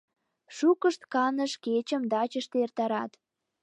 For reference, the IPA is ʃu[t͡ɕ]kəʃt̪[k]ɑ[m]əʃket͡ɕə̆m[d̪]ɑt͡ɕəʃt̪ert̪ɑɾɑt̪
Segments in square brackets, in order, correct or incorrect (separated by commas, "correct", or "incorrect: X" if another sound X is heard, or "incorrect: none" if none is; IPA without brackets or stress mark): incorrect: none, correct, incorrect: n, correct